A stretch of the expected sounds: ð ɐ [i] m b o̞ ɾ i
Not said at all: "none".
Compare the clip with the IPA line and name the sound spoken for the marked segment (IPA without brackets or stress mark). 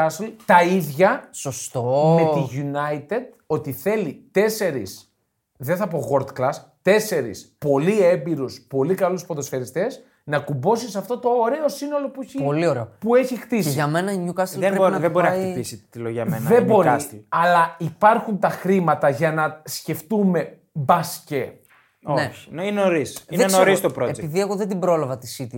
e